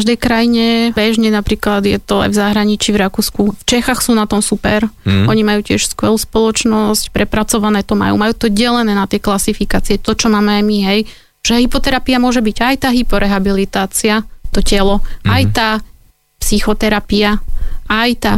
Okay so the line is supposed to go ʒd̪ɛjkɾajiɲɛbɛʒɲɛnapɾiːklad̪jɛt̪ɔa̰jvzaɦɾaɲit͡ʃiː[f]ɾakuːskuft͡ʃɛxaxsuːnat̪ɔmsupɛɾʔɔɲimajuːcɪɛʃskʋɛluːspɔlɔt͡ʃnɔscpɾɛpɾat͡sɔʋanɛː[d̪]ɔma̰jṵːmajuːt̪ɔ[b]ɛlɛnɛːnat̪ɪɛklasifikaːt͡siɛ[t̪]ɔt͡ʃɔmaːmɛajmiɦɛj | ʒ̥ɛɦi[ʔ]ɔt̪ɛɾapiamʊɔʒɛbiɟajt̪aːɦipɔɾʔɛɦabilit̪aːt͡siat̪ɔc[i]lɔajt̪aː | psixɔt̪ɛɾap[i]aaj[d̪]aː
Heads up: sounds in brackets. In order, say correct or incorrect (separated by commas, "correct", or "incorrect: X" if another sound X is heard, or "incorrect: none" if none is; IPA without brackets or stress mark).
incorrect: v, incorrect: t̪, incorrect: ɟ, correct, incorrect: p, incorrect: ɛ, correct, incorrect: t̪